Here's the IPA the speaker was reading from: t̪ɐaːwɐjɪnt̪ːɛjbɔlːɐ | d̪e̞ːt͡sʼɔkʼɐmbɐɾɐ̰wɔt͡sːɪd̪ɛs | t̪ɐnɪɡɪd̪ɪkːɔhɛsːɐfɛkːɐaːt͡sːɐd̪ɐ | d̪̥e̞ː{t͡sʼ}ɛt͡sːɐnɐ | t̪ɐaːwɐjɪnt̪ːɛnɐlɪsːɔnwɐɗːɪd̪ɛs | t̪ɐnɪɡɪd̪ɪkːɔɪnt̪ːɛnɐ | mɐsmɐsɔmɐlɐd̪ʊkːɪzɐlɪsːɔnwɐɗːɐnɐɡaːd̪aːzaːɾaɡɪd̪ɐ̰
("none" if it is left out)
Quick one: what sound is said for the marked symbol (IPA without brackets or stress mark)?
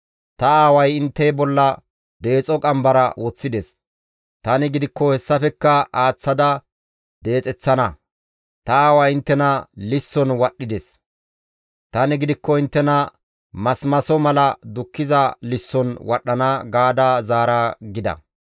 t͡sʼ